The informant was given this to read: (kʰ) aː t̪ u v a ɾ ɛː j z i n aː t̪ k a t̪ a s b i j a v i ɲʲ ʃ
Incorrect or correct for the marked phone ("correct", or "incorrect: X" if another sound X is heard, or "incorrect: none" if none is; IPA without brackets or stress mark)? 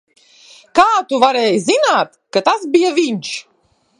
incorrect: k